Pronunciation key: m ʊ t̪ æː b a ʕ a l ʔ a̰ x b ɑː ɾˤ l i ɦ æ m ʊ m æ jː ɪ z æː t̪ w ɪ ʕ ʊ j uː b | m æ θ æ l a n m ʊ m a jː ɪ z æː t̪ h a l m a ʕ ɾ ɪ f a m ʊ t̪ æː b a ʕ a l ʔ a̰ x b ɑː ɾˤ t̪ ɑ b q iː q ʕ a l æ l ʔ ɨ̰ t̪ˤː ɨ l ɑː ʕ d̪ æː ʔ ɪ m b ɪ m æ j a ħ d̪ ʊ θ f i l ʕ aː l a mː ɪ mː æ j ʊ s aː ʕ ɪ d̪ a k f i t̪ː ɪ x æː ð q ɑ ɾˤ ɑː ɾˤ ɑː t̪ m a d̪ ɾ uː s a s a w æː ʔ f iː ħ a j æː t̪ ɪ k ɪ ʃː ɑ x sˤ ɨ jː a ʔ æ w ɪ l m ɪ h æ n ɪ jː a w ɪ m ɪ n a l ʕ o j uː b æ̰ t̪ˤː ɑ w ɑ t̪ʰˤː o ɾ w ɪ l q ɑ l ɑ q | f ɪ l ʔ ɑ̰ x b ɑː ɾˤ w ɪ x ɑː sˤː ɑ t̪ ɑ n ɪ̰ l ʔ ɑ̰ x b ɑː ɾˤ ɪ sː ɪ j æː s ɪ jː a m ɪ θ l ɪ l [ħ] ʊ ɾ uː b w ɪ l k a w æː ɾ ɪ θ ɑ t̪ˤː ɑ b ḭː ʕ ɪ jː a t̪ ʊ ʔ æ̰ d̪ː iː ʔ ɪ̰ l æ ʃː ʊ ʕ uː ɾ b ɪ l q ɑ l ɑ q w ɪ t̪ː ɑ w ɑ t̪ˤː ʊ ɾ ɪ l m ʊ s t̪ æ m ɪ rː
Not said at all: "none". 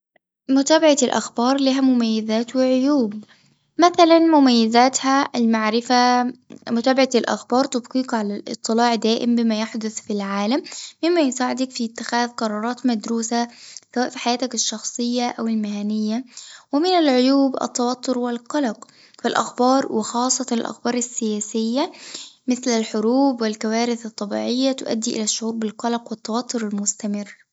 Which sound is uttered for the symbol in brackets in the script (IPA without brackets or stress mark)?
ħ